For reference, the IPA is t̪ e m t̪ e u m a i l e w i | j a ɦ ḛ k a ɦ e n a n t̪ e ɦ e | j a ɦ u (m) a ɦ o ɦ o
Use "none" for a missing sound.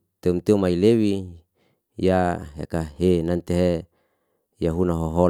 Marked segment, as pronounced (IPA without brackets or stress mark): n